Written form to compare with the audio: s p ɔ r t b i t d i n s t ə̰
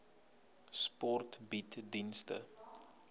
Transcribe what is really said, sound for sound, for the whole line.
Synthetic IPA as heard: s p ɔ r t b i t d i n s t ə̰